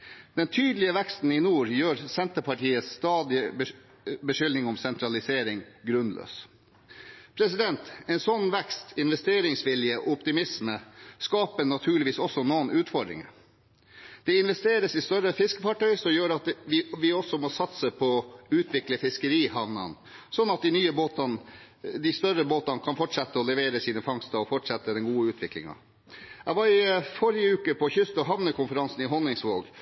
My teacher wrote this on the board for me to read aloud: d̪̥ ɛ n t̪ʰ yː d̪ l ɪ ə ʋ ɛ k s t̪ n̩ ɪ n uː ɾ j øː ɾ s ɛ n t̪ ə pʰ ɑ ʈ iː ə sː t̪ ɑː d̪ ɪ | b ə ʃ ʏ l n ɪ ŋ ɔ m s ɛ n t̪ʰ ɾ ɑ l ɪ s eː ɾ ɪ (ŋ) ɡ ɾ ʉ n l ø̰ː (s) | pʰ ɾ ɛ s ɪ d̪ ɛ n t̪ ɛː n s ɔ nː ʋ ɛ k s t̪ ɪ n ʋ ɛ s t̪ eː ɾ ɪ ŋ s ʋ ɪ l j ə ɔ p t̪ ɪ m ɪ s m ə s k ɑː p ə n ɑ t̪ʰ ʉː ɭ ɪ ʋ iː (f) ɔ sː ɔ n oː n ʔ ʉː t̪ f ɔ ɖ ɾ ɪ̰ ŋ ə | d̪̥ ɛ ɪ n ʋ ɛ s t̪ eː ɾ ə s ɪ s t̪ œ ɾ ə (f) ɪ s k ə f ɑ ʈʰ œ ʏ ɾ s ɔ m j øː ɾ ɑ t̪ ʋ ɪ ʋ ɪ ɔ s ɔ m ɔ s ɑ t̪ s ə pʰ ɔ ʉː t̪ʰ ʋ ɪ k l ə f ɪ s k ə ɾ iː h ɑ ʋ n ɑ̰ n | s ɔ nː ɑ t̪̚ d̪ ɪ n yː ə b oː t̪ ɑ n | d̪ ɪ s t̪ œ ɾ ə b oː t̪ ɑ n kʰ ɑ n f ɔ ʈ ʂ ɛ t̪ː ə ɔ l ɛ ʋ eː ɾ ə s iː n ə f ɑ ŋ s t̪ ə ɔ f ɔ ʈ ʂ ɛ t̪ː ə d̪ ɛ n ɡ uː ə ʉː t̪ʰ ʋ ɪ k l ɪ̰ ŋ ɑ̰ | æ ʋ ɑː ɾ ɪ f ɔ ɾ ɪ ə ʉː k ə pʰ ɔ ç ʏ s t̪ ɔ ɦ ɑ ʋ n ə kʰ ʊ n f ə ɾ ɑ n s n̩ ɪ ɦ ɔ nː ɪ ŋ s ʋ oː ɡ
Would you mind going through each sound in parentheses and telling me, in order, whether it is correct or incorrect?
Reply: correct, correct, incorrect: s, correct

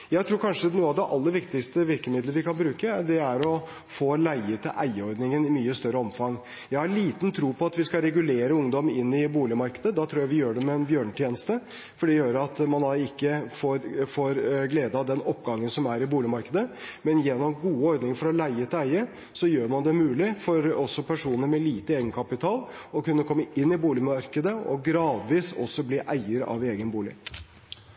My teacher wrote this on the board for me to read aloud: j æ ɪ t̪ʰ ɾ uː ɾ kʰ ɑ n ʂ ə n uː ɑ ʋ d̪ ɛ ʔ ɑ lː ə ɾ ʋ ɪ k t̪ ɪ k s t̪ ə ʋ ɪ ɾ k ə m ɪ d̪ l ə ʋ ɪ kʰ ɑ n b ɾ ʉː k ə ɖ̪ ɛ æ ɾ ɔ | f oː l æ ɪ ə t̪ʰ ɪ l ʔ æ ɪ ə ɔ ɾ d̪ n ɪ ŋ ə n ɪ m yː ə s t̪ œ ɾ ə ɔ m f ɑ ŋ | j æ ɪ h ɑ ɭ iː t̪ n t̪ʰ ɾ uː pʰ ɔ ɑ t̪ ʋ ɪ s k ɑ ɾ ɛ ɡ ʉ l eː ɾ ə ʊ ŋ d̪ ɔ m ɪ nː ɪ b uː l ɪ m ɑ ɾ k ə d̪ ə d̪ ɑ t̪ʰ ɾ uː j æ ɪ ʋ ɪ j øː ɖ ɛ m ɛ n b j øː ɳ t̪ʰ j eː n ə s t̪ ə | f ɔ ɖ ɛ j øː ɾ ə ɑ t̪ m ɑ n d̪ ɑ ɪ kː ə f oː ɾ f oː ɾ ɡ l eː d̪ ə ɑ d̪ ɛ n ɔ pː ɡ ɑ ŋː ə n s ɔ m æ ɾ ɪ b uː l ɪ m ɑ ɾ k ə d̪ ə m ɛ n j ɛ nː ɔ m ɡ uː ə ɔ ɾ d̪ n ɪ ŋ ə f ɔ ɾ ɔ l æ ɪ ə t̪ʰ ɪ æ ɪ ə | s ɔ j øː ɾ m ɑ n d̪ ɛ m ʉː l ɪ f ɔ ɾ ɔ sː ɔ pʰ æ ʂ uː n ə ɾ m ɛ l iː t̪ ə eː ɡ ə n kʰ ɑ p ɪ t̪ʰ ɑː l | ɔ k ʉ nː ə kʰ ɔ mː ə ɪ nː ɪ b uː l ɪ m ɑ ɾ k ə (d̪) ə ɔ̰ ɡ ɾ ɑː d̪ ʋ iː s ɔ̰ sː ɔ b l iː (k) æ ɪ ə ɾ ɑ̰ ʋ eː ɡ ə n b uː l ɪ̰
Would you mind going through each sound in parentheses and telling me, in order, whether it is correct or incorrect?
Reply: correct, incorrect: ʔ

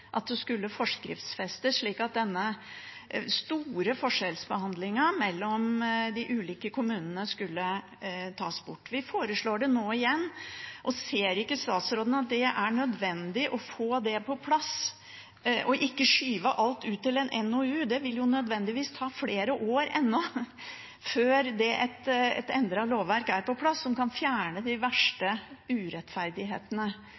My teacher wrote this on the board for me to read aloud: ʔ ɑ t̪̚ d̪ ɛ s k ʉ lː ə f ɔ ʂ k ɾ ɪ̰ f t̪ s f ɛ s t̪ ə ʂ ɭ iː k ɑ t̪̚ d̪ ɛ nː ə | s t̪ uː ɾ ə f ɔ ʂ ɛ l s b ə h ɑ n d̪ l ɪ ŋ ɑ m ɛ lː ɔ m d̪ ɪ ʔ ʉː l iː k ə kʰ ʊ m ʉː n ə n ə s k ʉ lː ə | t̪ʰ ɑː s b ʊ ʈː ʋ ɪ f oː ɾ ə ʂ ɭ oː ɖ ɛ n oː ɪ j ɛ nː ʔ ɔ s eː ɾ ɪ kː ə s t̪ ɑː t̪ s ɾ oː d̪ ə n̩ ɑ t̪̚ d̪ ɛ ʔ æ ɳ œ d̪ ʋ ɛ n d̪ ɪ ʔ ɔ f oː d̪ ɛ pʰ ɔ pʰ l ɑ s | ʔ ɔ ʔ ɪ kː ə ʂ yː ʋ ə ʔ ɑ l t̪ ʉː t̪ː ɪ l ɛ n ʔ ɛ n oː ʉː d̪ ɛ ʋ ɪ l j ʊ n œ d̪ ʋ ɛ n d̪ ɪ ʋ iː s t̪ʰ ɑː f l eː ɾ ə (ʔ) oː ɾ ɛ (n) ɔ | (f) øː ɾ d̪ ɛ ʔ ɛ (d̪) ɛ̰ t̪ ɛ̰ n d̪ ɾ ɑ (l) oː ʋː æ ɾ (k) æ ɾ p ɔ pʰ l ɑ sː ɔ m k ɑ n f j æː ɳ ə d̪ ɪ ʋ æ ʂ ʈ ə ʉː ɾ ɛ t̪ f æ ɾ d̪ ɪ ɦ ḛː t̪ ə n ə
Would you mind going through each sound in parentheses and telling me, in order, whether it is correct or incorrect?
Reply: correct, incorrect: nː, correct, incorrect: t̪, correct, correct

